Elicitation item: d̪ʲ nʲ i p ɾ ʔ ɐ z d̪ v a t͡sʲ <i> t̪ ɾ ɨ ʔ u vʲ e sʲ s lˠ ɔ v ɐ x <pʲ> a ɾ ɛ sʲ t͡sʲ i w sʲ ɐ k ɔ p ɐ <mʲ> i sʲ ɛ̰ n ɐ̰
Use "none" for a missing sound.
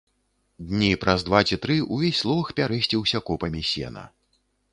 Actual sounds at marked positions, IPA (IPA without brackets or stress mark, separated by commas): i, pʲ, mʲ